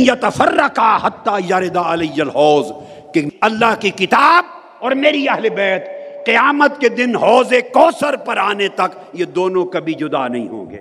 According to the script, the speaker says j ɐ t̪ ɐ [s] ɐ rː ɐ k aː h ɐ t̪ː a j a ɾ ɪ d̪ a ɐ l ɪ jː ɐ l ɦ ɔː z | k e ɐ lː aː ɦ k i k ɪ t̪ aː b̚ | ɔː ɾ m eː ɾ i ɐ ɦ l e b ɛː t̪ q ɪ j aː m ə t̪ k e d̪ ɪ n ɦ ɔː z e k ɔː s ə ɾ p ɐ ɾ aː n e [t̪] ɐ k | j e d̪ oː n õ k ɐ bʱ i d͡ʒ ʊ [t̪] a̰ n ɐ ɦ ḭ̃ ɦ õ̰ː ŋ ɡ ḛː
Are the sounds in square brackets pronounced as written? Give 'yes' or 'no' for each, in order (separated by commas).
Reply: no, yes, no